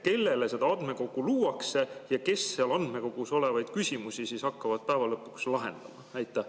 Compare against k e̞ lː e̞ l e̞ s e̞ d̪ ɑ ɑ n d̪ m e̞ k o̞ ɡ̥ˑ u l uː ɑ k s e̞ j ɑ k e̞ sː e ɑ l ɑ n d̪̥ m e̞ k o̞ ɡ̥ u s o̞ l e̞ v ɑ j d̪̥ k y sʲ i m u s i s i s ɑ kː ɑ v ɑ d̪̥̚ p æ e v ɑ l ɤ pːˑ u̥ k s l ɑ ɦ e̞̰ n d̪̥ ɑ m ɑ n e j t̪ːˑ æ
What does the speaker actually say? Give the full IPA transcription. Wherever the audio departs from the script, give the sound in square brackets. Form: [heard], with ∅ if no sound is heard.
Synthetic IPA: k e̞ lː e̞ l e̞ s e̞ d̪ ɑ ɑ n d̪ m e̞ k o̞ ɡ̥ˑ u l uː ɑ k s e̞ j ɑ k e̞ sː e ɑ l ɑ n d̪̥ m e̞ k o̞ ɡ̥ u s o̞ l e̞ v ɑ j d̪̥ k y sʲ i m u s i s i s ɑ kː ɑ v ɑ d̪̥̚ p æ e v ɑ l ɤ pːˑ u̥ k s l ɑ ɦ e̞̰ n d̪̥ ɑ m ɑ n [æ] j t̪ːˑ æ